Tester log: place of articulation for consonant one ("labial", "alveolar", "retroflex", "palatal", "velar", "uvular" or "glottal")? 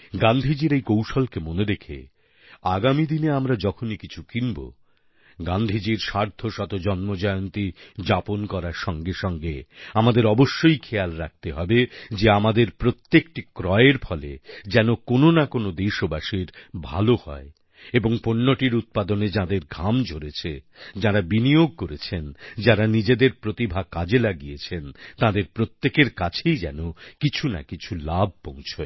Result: velar